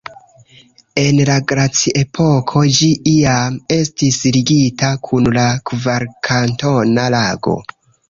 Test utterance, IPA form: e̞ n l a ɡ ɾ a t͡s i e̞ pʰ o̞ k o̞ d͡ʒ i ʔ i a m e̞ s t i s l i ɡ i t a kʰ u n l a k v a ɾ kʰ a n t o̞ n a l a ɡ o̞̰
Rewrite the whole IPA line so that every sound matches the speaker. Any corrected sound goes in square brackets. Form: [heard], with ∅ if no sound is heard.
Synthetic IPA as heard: e̞ n l a ɡ ɾ a t͡s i e̞ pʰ o̞ [kʰ] o̞ d͡ʒ i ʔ i a m e̞ s t i s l i ɡ i t a kʰ u n l a k v a ɾ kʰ a n t o̞ n a l a ɡ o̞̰